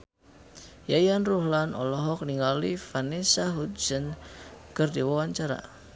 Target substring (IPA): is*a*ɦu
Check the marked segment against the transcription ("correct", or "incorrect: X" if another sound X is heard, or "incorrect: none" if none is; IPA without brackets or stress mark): correct